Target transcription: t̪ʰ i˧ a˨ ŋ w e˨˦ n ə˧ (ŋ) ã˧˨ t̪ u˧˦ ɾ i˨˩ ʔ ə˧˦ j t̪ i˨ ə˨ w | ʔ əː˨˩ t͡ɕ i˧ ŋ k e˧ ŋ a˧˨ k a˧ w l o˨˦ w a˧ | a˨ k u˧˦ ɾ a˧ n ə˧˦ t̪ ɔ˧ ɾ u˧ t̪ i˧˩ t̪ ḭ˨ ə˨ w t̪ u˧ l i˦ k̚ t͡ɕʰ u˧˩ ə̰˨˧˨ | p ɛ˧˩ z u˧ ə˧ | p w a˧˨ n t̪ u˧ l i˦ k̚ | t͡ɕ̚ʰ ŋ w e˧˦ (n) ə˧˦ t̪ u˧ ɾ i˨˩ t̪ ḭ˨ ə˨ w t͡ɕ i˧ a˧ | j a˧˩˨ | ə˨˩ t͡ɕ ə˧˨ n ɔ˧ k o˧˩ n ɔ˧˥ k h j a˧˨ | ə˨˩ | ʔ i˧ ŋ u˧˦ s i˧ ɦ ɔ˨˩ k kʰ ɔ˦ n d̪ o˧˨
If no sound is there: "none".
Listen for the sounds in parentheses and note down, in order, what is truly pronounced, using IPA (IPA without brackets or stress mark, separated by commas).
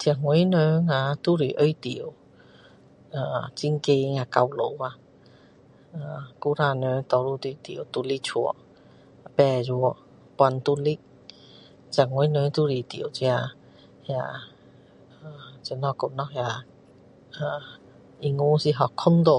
ŋ, n